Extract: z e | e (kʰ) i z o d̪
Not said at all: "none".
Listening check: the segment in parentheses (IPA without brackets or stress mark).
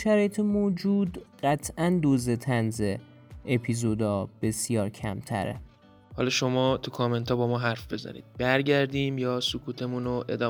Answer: pʰ